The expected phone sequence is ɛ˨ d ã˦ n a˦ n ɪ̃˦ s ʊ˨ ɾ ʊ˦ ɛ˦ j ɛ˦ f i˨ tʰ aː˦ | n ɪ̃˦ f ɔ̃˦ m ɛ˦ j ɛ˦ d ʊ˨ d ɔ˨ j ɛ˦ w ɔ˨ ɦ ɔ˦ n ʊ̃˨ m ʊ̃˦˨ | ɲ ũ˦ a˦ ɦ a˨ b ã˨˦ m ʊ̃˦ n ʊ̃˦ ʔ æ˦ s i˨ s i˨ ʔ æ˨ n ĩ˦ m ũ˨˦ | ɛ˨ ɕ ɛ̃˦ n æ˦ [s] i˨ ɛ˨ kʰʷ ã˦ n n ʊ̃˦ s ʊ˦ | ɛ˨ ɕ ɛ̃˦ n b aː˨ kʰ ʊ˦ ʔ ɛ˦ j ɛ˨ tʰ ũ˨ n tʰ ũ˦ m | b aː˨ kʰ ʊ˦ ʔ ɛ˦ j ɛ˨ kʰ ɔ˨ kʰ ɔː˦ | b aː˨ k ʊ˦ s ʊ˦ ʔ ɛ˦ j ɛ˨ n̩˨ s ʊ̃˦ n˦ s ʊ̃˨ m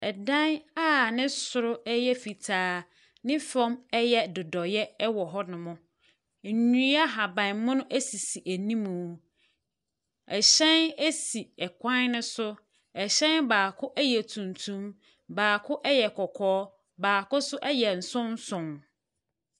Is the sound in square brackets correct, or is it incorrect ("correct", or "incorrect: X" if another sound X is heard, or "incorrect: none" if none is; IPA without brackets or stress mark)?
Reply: correct